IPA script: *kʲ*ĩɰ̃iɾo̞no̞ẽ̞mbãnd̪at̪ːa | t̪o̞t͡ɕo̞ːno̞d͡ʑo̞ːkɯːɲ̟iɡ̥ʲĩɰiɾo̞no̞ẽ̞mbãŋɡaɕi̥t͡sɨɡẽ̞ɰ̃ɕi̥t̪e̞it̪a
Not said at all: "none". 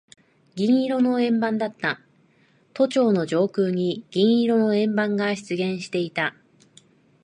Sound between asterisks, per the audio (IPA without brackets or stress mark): ɡʲ